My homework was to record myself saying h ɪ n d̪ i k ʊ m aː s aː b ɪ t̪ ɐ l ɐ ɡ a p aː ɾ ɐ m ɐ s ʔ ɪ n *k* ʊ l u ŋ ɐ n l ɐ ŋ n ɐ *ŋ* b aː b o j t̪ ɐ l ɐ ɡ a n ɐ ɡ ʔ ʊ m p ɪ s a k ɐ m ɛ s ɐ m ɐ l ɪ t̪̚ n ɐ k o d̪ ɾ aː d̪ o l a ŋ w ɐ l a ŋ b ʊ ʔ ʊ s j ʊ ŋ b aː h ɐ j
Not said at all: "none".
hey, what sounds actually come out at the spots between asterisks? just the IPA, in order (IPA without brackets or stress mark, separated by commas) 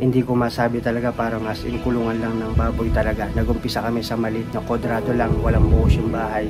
k, ŋ